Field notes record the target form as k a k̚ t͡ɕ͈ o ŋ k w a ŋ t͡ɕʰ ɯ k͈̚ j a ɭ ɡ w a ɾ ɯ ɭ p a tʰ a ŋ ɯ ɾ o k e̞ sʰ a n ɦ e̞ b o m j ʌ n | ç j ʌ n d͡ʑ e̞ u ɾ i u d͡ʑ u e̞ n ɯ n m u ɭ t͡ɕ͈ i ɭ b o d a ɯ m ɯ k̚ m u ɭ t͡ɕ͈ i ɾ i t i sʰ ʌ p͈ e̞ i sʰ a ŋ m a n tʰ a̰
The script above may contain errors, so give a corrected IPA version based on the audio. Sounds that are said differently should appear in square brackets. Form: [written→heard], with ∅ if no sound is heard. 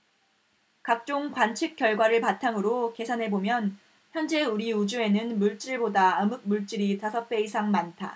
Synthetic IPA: k a k̚ t͡ɕ͈ o ŋ k w a [ŋ→n] t͡ɕʰ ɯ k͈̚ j [a→ʌ] ɭ ɡ w a ɾ ɯ ɭ p a tʰ a ŋ ɯ ɾ o k e̞ sʰ a n ɦ e̞ b o m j ʌ n | ç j ʌ n d͡ʑ e̞ u ɾ i u d͡ʑ u e̞ n ɯ n m u ɭ t͡ɕ͈ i ɭ b o d a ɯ m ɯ k̚ m u ɭ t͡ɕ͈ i ɾ i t [i→a] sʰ ʌ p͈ e̞ i sʰ a ŋ m a n tʰ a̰